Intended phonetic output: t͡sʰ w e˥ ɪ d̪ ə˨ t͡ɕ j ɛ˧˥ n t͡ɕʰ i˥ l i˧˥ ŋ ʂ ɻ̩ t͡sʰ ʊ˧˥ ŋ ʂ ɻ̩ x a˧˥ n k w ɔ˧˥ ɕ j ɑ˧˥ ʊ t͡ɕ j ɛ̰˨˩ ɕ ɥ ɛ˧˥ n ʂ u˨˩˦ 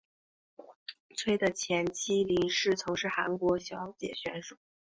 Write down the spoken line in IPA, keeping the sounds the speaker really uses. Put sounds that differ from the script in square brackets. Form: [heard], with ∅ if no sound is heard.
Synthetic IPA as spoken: t͡sʰ w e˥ ɪ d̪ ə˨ [t͡ɕʰ] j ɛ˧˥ n t͡ɕʰ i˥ l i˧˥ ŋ ʂ ɻ̩ t͡sʰ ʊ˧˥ ŋ ʂ ɻ̩ x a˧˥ n k w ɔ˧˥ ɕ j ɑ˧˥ ʊ t͡ɕ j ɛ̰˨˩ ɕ ɥ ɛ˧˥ n ʂ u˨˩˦